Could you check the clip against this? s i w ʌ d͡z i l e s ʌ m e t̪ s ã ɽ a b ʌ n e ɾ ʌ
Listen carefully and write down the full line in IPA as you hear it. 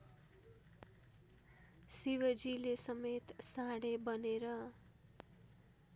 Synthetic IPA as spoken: s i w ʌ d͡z i l e s ʌ m e t̪ s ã ɽ e b ʌ n e ɾ ʌ